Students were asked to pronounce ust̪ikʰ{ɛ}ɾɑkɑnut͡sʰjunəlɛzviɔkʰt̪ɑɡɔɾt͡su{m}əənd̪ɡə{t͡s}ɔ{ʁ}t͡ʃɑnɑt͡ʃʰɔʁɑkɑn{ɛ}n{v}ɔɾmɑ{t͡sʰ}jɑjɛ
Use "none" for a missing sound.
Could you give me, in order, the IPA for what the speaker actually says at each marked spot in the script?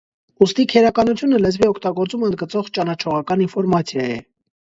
ɛ, m, t͡s, ʁ, i, f, t͡sʰ

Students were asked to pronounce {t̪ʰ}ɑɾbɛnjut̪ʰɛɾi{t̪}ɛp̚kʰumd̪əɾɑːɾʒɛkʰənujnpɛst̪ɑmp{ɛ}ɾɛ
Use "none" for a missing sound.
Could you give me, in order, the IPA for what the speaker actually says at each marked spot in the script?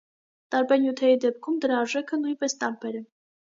t̪, d̪, ɛ

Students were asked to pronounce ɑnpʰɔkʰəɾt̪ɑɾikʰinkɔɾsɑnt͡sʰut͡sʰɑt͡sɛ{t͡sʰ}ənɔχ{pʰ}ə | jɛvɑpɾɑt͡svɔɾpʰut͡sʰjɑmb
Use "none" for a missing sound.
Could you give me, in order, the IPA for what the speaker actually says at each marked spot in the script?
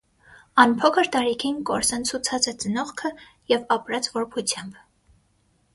t͡s, kʰ

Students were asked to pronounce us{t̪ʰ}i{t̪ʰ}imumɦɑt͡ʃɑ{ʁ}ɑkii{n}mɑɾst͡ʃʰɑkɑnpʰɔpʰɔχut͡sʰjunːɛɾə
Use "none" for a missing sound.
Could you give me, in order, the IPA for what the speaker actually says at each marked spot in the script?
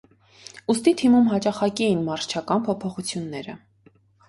t̪, t̪ʰ, χ, n

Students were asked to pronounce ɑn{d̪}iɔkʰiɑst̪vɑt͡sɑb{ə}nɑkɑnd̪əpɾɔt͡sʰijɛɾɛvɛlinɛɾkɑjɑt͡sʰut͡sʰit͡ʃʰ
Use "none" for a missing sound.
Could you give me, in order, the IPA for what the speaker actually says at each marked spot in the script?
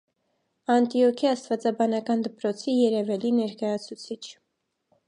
t̪, ɑ

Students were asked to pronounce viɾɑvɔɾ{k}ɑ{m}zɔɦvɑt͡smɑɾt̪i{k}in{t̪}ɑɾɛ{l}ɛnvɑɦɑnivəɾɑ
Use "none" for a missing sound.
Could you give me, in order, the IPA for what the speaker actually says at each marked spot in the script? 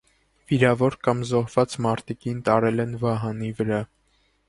k, m, k, t̪, l

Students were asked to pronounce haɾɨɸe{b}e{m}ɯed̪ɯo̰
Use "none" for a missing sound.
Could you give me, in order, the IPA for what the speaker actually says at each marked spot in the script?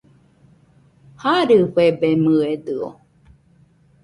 b, m

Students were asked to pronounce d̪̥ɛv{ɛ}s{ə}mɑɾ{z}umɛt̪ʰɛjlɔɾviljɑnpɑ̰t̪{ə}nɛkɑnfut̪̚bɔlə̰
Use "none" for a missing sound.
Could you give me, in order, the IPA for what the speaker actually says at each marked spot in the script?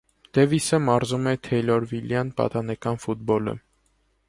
i, ə, z, ɑ

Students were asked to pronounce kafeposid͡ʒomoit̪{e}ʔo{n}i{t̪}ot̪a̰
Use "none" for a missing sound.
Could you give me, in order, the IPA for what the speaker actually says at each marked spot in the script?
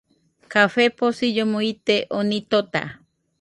e, n, t̪

